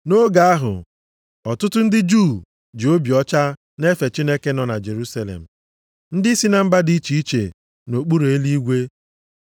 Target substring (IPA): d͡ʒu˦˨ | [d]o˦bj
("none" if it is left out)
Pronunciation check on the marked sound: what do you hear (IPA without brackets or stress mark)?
d͡ʒ